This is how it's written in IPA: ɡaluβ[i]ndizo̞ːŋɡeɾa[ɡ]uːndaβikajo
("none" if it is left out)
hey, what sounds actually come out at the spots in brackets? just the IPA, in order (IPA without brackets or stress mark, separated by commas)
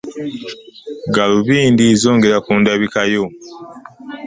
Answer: iː, k